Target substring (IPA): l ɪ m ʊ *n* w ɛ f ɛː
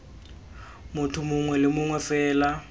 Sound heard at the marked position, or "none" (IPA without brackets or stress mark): ŋ